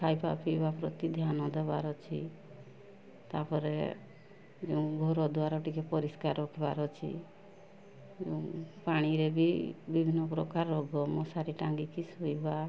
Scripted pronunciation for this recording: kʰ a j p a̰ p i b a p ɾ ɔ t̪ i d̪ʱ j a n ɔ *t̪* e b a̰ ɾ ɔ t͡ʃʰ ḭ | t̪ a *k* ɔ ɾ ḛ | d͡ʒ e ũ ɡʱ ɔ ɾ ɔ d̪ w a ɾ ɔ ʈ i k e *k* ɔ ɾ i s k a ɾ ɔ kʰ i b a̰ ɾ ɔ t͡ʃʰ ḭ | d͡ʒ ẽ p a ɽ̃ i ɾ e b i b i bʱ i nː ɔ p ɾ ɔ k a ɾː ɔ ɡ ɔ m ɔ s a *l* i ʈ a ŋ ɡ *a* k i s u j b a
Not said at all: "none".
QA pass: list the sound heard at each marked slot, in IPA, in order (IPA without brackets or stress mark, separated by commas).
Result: d̪, p, p, ɾ, i